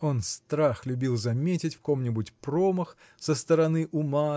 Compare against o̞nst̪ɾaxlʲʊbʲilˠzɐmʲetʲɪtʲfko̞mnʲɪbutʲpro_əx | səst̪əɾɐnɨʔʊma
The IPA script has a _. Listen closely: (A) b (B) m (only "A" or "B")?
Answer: B